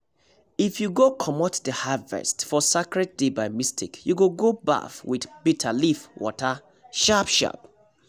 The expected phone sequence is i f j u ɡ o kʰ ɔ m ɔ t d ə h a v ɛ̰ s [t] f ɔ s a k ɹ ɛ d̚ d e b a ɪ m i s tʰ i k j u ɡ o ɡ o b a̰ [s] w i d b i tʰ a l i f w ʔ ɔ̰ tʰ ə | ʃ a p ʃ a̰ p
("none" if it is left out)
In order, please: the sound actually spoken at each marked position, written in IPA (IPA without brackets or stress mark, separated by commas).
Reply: t, f